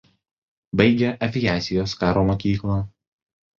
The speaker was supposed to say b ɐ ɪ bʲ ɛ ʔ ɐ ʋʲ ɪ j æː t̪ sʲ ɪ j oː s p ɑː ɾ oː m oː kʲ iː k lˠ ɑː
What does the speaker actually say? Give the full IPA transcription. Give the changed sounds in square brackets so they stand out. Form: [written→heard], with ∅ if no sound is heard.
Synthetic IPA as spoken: b ɐ ɪ [bʲ→ɡʲ] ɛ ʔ ɐ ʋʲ ɪ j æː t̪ sʲ ɪ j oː s [p→k] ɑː ɾ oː m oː kʲ iː k lˠ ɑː

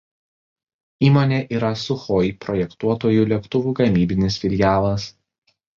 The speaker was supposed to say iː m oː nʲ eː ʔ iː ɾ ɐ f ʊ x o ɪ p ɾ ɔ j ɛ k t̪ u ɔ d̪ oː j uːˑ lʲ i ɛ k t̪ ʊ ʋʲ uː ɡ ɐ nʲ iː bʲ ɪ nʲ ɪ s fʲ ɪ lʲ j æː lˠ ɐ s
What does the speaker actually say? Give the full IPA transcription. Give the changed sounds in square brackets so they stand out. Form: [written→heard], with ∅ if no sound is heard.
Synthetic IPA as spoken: iː m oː nʲ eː ʔ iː ɾ ɐ [f→s] ʊ x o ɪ p ɾ ɔ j ɛ k t̪ u ɔ [d̪→t̪] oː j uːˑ lʲ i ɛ k t̪ ʊ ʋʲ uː ɡ ɐ [nʲ→mʲ] iː bʲ ɪ nʲ ɪ s fʲ ɪ lʲ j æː lˠ ɐ s

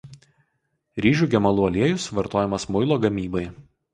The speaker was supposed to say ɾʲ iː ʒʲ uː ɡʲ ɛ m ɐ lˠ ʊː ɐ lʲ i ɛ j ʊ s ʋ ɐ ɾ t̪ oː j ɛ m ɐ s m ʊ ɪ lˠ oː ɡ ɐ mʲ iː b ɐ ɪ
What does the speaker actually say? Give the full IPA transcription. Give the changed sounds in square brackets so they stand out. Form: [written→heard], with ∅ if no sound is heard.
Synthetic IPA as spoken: ɾʲ iː ʒʲ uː ɡʲ ɛ m ɐ lˠ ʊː ɐ lʲ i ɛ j ʊ s ʋ ɐ ɾ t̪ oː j ɛ m ɐ s m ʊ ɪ lˠ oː ɡ ɐ mʲ iː b ɐ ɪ

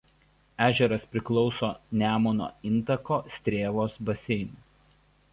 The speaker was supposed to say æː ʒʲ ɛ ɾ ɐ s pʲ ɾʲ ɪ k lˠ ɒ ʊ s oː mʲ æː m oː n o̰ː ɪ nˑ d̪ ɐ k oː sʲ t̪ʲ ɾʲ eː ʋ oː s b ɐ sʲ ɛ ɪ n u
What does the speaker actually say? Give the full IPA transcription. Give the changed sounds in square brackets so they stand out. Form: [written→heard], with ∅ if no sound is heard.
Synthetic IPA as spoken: æː ʒʲ ɛ ɾ ɐ s pʲ ɾʲ ɪ k lˠ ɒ ʊ s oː [mʲ→nʲ] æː m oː n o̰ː ɪ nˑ [d̪→t̪] ɐ k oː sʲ t̪ʲ ɾʲ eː ʋ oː s b ɐ sʲ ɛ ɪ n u

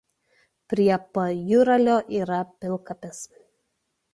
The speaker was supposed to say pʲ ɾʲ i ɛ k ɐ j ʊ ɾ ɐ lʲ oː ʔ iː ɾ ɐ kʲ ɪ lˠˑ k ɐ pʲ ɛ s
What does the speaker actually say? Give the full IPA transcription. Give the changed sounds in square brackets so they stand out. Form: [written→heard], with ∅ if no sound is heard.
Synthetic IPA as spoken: pʲ ɾʲ i ɛ [k→p] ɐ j ʊ ɾ ɐ lʲ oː ʔ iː ɾ ɐ [kʲ→pʲ] ɪ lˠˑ k ɐ pʲ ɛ s

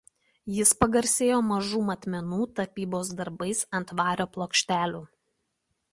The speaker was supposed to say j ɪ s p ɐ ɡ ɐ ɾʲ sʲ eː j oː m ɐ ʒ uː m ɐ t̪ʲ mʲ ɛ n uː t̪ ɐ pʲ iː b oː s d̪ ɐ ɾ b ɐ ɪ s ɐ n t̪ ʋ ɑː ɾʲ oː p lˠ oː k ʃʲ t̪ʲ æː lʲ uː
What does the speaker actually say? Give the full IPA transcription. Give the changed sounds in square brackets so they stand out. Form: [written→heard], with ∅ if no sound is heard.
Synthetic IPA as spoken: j ɪ s p ɐ ɡ ɐ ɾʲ sʲ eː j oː m ɐ ʒ uː m ɐ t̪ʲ mʲ ɛ n uː t̪ ɐ pʲ iː b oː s d̪ ɐ ɾ b ɐ ɪ s ɐ n t̪ ʋ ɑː ɾʲ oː p lˠ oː k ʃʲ t̪ʲ æː lʲ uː

